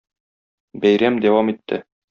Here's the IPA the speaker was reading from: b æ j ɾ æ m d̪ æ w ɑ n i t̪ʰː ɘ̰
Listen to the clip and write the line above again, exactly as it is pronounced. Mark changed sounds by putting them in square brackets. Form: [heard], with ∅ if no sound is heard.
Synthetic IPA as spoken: b æ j ɾ æ m d̪ æ w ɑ [m] i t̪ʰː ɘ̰